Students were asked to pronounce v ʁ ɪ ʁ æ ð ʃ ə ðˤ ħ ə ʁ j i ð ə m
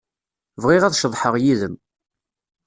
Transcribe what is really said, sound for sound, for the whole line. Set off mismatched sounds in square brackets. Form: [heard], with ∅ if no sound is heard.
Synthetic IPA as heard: v ʁ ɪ ʁ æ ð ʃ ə ðˤ ħ ə ʁ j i ð ə m